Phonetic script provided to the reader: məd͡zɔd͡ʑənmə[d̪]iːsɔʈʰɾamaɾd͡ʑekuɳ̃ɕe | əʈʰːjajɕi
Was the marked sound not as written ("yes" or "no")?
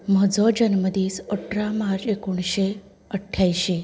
no